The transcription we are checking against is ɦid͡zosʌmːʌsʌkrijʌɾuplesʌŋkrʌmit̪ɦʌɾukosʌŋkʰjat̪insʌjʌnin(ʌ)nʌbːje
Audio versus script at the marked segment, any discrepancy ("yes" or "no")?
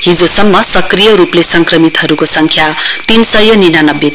yes